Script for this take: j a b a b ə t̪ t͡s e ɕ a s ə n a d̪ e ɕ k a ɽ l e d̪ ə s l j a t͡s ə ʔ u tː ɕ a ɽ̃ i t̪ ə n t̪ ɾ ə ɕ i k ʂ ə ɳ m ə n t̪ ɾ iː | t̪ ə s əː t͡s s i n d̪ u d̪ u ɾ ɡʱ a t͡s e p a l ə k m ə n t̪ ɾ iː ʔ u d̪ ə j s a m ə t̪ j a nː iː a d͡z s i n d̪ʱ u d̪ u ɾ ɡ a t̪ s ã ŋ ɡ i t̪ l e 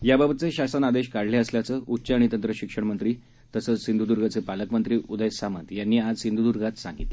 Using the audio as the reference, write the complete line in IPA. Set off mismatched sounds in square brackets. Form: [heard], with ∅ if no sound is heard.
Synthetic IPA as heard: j a b a b ə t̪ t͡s e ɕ a s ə n a d̪ e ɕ k a ɽ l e [∅] ə s l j a t͡s ə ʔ u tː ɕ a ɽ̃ i t̪ ə n t̪ ɾ ə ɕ i k ʂ ə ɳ m ə n t̪ ɾ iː | t̪ ə s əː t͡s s i n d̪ u d̪ u ɾ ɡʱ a t͡s e p a l ə k m ə n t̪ ɾ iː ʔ u d̪ ə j s a m ə t̪ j a nː iː a d͡z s i n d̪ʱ u d̪ u ɾ ɡ a t̪ s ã ŋ ɡ i t̪ l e